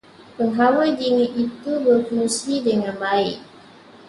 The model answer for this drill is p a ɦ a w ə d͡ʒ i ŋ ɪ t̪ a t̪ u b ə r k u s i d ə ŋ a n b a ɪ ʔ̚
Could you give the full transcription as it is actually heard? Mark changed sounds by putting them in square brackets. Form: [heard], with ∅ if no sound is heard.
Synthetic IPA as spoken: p [ə] ɦ a w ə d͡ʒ i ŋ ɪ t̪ [i] t̪ u b ə r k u s i d ə ŋ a n b a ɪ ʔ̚